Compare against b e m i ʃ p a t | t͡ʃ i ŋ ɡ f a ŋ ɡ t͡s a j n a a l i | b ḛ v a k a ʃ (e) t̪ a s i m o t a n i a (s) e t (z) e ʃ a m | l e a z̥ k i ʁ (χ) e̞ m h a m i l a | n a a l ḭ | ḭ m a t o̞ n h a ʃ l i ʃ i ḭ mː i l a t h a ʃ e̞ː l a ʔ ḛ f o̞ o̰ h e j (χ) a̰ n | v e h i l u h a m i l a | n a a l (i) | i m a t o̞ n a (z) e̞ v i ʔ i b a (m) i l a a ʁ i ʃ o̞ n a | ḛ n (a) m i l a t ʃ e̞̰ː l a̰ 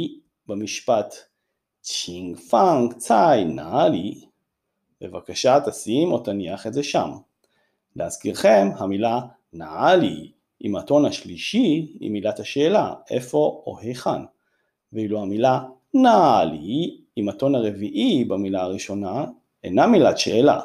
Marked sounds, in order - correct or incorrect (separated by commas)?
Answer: incorrect, incorrect, correct, correct, correct, correct, incorrect, correct, correct